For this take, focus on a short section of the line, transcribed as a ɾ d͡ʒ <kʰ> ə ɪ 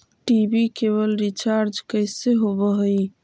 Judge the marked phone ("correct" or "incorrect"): incorrect